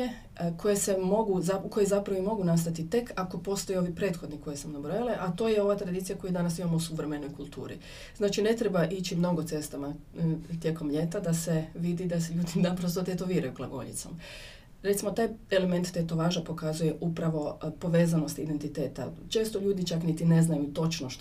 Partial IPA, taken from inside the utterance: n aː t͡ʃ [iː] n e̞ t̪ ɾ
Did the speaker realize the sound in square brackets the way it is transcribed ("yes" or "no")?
no